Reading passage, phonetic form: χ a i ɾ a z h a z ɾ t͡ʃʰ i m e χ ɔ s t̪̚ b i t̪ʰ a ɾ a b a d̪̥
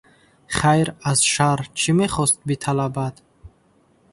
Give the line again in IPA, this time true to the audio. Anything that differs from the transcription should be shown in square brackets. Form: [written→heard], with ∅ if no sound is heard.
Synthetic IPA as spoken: χ a [i→j] ɾ a z [h→ʃ] a [z→∅] ɾ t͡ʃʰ i m e χ ɔ s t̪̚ b i t̪ʰ a [ɾ→l] a b a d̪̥